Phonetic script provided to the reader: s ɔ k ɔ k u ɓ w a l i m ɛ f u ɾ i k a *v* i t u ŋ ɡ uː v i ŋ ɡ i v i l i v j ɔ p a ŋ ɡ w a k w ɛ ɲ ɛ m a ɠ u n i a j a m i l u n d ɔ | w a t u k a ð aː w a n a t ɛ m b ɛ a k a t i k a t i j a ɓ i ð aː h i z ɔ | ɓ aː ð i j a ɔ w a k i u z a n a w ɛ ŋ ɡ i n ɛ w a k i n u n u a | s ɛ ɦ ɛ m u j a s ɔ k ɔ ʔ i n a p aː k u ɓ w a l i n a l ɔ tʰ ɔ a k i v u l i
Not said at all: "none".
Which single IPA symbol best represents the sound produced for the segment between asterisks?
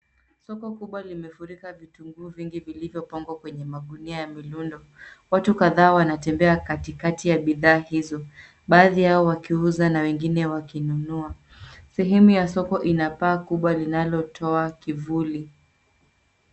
v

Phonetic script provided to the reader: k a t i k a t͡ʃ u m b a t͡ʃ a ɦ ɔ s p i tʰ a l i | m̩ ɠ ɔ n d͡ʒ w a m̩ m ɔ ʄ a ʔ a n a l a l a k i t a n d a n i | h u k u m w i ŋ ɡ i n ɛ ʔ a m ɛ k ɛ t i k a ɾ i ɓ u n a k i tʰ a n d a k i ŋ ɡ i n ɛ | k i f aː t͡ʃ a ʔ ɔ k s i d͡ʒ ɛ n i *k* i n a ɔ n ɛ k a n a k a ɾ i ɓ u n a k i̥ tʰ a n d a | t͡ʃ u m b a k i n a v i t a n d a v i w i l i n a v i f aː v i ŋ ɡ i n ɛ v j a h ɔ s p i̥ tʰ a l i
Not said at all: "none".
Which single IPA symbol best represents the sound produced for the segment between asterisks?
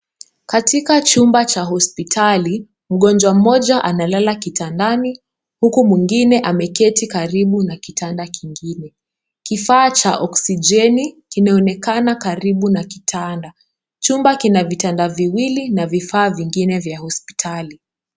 k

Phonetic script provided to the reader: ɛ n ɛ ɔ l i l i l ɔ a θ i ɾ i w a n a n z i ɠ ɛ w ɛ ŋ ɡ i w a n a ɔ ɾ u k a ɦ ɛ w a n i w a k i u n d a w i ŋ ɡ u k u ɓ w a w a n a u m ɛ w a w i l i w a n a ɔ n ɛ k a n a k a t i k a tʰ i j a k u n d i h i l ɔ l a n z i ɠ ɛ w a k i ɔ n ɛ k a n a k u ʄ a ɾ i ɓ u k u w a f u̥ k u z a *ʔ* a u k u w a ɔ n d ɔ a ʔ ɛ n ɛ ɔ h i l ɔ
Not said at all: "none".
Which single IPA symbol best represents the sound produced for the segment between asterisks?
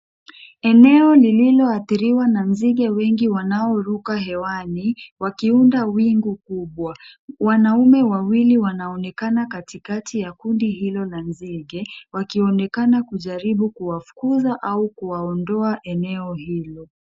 ʔ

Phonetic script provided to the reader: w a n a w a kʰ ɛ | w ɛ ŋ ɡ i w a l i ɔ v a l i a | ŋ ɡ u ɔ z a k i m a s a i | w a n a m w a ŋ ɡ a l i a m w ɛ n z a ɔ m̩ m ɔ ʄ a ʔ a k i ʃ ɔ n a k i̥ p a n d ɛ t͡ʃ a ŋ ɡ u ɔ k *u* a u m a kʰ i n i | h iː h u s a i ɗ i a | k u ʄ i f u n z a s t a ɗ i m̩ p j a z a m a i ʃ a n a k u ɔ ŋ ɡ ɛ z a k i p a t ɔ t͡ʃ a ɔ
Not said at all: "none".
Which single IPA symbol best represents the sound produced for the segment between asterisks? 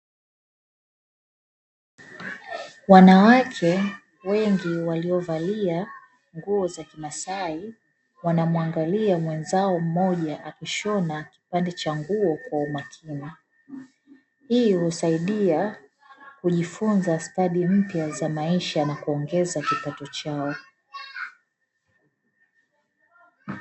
w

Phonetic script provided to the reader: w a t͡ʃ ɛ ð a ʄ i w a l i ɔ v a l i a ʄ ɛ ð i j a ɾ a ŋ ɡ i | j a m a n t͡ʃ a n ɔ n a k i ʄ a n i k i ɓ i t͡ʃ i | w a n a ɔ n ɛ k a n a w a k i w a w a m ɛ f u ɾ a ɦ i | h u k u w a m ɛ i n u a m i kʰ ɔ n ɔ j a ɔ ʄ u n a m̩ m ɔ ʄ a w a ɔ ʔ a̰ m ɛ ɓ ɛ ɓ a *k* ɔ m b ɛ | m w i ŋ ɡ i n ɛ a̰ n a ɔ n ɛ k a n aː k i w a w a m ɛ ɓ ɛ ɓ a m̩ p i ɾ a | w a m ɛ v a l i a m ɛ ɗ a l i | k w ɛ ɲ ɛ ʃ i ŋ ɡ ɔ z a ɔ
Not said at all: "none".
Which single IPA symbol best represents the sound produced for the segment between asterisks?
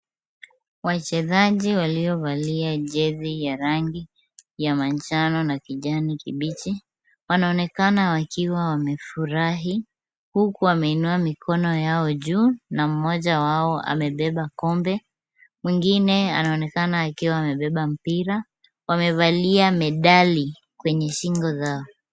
k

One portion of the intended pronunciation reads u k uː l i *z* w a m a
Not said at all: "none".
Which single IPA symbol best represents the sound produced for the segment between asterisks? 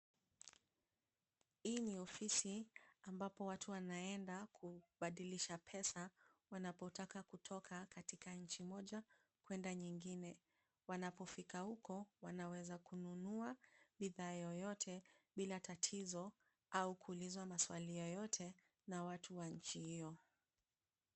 z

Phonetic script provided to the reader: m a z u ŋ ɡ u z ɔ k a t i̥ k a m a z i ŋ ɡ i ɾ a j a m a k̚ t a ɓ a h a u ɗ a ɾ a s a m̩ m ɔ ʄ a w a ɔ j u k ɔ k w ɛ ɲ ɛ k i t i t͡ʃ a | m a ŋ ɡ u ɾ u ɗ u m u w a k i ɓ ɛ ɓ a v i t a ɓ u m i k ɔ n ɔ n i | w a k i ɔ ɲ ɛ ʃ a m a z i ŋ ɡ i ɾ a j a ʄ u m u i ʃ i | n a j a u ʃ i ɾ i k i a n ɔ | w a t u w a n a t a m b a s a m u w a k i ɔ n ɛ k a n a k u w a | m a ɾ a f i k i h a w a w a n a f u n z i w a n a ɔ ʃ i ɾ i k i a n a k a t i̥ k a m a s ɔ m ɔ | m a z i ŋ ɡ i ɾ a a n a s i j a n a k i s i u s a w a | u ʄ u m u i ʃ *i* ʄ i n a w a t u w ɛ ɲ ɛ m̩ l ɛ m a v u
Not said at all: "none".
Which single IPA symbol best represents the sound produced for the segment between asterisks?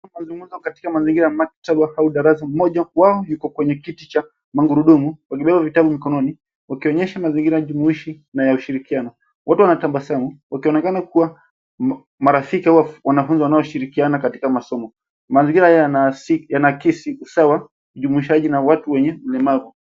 a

